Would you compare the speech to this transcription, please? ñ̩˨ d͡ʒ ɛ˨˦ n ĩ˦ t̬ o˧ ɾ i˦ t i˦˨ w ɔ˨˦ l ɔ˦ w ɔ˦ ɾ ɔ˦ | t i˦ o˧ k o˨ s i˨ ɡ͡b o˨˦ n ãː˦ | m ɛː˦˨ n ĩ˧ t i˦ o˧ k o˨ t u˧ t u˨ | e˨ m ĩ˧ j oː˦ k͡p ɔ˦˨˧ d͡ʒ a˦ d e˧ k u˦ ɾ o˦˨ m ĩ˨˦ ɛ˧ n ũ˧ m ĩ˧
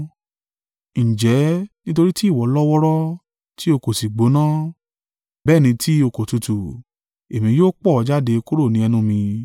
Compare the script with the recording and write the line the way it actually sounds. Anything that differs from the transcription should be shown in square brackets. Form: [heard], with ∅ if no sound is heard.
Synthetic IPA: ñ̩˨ d͡ʒ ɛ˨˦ n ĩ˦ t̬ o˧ ɾ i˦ t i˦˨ w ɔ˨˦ l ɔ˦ w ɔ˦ ɾ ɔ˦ | t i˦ o˧ k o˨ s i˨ ɡ͡b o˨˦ n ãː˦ | [b] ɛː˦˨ n ĩ˧ t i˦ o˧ k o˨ t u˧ t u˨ | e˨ m ĩ˧ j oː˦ k͡p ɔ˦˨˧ d͡ʒ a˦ d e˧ k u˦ ɾ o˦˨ [n] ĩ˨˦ ɛ˧ n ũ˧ m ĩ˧